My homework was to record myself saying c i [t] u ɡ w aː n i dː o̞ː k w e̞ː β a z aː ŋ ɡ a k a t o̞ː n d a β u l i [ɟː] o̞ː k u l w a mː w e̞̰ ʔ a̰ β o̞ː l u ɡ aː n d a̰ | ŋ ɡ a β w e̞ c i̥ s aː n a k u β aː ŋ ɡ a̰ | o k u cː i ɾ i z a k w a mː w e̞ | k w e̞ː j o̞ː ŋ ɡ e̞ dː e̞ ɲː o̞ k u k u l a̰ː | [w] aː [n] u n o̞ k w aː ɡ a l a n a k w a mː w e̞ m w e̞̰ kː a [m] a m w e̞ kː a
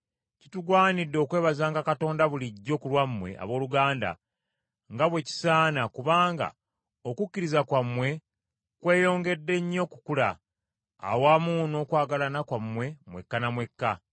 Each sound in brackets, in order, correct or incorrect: correct, correct, correct, incorrect: m, incorrect: n

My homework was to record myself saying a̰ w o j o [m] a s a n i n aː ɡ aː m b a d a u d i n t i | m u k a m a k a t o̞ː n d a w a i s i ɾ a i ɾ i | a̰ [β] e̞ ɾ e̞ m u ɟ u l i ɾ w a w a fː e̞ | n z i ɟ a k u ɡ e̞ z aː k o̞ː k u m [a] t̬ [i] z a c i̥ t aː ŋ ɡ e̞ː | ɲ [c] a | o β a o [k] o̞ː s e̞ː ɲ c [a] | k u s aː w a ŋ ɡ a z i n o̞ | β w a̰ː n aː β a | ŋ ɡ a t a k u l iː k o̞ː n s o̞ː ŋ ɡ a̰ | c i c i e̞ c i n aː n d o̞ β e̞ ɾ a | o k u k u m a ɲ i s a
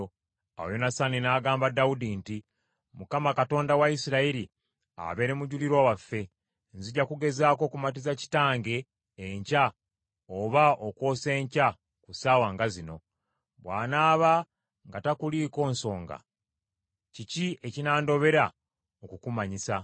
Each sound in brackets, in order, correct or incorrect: incorrect: n, correct, correct, correct, correct, correct, correct

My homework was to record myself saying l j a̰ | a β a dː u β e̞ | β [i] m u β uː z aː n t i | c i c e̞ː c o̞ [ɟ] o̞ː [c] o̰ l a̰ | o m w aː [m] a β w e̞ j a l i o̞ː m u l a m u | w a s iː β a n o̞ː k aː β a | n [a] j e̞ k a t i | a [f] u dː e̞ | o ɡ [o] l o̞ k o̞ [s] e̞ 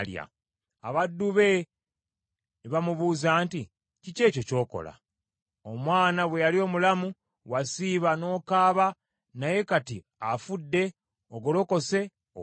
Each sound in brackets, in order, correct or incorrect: incorrect: a, incorrect: c, incorrect: k, incorrect: n, correct, correct, correct, correct

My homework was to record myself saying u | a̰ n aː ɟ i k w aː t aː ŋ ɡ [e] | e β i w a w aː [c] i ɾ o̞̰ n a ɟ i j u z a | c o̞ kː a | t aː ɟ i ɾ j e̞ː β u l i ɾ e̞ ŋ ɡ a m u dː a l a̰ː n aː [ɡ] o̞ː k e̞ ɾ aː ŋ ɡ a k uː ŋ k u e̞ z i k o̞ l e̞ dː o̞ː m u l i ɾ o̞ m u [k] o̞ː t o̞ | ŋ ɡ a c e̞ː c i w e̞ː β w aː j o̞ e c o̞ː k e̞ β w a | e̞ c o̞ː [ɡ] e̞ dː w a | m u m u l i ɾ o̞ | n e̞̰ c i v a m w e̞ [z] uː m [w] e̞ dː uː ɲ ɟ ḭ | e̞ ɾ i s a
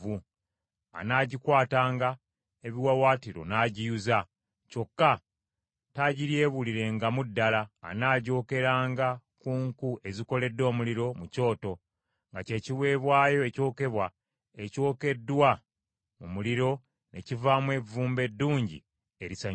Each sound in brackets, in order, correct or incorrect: incorrect: a, incorrect: t, incorrect: ɟ, incorrect: c, incorrect: k, incorrect: v, incorrect: b

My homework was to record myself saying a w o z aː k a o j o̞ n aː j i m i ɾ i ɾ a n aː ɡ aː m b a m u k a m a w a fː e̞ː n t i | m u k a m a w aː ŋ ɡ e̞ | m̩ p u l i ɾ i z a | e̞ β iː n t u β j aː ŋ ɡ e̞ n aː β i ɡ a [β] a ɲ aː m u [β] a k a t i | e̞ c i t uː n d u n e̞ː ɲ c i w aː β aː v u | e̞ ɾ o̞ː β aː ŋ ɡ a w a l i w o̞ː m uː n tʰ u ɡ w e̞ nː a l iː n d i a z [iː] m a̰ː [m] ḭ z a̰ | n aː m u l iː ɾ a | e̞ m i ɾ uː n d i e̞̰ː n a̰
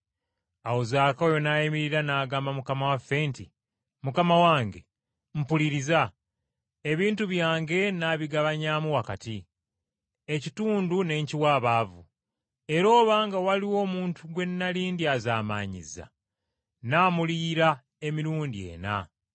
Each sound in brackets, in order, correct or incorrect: correct, incorrect: w, incorrect: aː, incorrect: ɲ

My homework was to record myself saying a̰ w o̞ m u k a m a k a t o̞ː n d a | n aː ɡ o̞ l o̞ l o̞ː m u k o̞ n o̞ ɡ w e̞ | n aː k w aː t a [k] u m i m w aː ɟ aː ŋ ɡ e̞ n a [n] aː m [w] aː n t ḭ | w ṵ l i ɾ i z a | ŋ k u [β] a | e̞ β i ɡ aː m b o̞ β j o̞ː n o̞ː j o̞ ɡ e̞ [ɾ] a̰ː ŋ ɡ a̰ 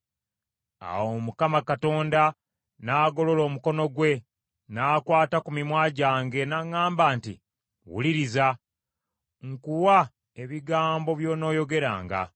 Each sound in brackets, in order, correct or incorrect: correct, incorrect: ŋ, incorrect: b, incorrect: w, correct

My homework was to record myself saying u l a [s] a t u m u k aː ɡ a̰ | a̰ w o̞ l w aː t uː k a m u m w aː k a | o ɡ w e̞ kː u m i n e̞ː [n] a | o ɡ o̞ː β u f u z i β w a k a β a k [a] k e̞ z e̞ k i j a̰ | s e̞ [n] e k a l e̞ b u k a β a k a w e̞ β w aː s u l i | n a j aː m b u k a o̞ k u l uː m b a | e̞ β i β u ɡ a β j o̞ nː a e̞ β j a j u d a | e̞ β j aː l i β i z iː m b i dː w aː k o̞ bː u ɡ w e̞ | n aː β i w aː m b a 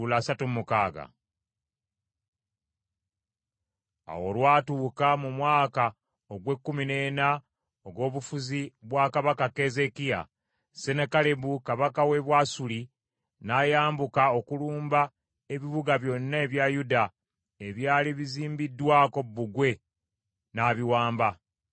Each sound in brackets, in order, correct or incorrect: correct, correct, correct, correct

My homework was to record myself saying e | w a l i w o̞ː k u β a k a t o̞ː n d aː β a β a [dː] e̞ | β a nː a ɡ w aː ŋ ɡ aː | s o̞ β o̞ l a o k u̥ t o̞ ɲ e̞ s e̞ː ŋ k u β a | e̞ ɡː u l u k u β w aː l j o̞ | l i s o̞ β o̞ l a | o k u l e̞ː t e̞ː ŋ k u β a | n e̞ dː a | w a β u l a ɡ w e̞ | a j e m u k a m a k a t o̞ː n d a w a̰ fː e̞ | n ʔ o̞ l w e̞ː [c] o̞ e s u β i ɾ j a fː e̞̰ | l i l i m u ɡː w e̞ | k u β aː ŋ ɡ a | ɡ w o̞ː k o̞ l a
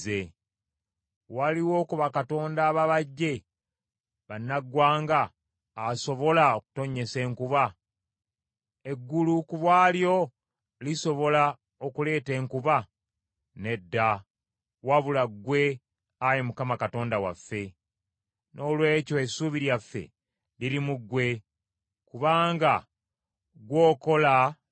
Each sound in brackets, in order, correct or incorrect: incorrect: ɟː, correct

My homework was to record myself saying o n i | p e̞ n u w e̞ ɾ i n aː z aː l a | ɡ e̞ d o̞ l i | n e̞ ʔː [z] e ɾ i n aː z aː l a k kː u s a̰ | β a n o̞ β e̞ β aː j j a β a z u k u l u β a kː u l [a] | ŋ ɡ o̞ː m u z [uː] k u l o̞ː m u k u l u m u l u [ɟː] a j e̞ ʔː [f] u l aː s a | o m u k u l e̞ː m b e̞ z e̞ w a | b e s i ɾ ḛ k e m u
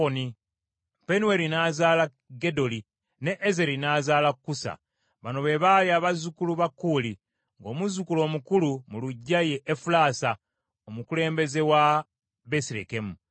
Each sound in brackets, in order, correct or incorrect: correct, incorrect: i, incorrect: u, correct, correct

